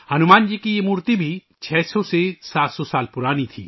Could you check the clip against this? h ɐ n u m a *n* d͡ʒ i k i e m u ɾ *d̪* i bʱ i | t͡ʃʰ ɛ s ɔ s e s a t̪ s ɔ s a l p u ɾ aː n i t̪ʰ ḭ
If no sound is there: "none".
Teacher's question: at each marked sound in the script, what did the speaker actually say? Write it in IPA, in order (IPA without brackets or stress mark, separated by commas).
n, t̪